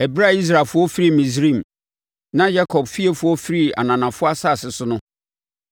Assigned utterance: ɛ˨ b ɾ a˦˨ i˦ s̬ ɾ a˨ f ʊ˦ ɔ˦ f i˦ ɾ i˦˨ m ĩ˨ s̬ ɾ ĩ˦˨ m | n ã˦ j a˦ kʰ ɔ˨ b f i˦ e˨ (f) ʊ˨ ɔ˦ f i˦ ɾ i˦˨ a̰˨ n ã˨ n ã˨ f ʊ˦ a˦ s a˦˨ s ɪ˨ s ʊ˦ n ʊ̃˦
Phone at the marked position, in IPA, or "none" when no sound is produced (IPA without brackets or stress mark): f